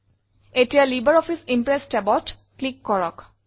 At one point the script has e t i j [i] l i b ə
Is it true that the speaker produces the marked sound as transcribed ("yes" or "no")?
no